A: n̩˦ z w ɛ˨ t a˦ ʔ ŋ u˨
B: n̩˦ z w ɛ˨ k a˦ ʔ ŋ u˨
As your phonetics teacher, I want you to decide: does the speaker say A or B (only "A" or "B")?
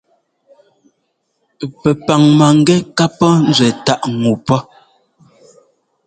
A